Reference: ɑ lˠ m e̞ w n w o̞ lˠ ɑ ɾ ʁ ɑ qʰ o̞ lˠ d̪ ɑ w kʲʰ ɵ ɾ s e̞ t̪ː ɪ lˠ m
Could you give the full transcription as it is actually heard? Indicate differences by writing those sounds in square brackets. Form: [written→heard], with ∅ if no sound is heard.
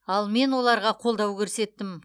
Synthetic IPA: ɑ lˠ m e̞ [w→∅] n w o̞ lˠ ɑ ɾ ʁ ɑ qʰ o̞ lˠ d̪ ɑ w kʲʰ ɵ ɾ s e̞ t̪ː ɪ [lˠ→∅] m